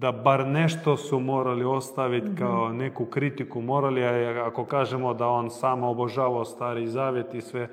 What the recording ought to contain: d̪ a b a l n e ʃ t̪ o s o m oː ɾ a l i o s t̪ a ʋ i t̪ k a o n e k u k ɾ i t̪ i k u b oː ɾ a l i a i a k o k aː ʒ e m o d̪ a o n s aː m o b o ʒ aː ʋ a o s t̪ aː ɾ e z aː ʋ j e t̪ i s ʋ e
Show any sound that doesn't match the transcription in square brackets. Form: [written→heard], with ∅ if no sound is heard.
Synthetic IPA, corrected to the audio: d̪ a b a [l→ɾ] n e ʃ t̪ o s [o→u] m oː ɾ a l i o s t̪ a ʋ i t̪ k a o n e k u k ɾ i t̪ i k u [b→m] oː ɾ a l i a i a k o k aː ʒ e m o d̪ a o n s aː m o b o ʒ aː ʋ a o s t̪ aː ɾ [e→i] z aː ʋ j e t̪ i s ʋ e